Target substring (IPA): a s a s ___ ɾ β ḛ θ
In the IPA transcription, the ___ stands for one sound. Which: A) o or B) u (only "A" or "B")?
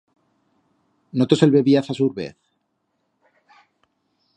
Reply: B